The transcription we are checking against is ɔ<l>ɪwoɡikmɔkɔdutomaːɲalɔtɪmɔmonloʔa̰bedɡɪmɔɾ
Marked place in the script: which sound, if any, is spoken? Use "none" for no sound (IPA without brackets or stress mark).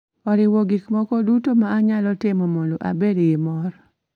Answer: ɾ